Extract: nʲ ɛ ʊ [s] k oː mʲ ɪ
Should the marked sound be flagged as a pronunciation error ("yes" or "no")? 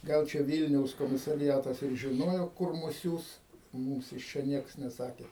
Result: no